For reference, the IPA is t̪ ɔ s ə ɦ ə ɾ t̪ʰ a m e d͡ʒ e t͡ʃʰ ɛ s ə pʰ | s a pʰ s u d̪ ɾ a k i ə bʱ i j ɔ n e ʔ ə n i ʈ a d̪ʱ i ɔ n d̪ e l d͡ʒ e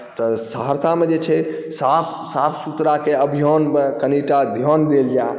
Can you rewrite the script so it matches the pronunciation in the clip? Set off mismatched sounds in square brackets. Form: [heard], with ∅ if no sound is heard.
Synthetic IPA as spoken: t̪ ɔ s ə ɦ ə ɾ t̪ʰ a m e d͡ʒ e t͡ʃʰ ɛ s [a] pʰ | s a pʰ s u [t̪] ɾ a k [e] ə bʱ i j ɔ n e [k] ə n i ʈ a d̪ʱ [j] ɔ n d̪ e l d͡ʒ [a]